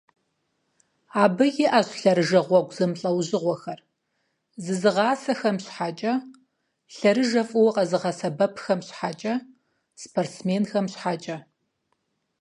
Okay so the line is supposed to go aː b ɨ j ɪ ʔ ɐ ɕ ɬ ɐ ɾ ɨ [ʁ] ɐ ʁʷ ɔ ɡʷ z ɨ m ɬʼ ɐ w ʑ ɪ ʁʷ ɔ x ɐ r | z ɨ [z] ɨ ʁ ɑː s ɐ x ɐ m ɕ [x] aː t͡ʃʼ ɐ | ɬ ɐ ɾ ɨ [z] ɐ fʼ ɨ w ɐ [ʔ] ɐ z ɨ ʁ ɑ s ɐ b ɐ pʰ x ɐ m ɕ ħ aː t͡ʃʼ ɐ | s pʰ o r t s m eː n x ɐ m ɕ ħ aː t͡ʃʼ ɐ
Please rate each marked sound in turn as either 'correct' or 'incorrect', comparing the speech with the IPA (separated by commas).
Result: incorrect, correct, incorrect, incorrect, incorrect